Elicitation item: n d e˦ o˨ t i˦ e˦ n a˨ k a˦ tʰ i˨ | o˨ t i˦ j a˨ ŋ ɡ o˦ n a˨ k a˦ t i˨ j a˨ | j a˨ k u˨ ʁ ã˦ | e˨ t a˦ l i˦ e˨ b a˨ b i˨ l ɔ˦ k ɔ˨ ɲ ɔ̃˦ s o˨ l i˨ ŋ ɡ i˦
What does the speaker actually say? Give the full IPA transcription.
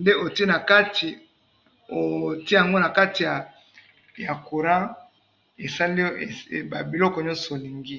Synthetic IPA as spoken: n d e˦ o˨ t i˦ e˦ n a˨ k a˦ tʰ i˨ | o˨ t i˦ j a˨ ŋ ɡ o˦ n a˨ k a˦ t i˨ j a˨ | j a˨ k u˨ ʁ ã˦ | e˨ s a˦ l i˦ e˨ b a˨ b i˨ l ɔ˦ k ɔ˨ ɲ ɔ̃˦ s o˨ l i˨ ŋ ɡ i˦